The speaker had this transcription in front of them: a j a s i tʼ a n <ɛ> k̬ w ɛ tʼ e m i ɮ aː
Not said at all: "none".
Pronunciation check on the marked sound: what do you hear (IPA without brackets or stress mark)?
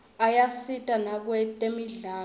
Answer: a